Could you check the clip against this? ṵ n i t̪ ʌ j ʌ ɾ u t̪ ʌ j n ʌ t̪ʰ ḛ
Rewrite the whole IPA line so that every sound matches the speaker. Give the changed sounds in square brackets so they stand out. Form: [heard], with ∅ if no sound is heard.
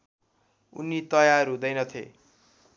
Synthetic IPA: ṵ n i t̪ ʌ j [a] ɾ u [d̪] ʌ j n ʌ t̪ʰ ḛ

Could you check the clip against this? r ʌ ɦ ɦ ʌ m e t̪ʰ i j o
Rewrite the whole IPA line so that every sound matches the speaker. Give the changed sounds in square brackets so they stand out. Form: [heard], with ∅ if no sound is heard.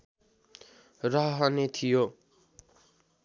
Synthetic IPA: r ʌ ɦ ɦ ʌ [n] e t̪ʰ i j o

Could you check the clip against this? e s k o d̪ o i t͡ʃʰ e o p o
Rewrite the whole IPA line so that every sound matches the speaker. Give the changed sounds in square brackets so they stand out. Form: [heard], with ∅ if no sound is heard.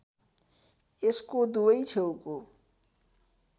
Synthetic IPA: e s k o d̪ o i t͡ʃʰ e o [k] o

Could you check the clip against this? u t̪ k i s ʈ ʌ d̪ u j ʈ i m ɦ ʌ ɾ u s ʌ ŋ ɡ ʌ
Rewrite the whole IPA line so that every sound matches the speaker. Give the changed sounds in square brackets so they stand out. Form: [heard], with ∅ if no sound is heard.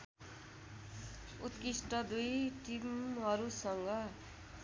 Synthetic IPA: u t̪ k i s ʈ ʌ d̪ u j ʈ i m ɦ ʌ ɾ u s ʌ ŋ ɡ ʌ

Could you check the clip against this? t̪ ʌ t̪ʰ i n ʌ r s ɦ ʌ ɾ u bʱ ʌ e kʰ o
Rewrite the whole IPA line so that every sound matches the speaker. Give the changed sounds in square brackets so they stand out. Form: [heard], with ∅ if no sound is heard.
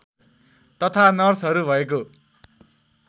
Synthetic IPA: t̪ ʌ t̪ʰ [a] n ʌ r s ɦ ʌ ɾ u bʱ ʌ e [k] o

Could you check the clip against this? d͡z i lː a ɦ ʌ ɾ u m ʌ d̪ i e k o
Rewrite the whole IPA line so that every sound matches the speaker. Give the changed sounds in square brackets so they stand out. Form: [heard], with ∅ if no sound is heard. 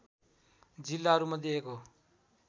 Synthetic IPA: d͡z i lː a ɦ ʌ ɾ u m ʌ d̪ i e k o

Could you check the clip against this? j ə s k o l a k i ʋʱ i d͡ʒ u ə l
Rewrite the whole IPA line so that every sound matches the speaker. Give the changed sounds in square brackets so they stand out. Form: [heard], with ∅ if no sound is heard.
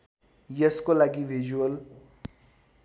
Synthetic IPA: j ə s k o l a [ɡ] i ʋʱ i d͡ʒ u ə l

